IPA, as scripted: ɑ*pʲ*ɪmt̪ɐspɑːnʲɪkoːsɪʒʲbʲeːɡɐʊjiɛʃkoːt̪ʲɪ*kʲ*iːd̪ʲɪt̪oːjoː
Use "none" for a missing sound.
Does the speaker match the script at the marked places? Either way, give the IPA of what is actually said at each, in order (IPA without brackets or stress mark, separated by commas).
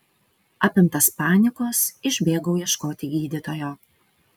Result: pʲ, ɡʲ